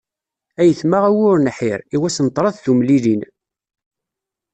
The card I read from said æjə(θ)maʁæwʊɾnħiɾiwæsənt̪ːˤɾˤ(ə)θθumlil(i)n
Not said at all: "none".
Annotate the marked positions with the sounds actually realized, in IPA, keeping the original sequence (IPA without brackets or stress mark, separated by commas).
θ, ɑ, i